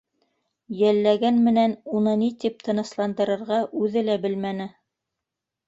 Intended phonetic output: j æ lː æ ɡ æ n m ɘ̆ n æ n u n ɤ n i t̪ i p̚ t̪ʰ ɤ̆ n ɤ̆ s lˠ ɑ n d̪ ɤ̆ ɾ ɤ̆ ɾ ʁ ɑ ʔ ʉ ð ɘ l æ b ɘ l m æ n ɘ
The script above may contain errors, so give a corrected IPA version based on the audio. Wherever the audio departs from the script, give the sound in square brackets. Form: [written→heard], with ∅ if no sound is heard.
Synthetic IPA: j æ lː æ ɡ æ n m ɘ̆ n æ n u n ɤ n i t̪ i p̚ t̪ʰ ɤ̆ n ɤ̆ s lˠ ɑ n d̪ ɤ̆ ɾ ɤ̆ ɾ ʁ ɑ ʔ ʉ ð ɘ l æ b ɘ l m æ n ɘ